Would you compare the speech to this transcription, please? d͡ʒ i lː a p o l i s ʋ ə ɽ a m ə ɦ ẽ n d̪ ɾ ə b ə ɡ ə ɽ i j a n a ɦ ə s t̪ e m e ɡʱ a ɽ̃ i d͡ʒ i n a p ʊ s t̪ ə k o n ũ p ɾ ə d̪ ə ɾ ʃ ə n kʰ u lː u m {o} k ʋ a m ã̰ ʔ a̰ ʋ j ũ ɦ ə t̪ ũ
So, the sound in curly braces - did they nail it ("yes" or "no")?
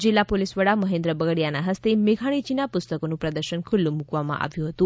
no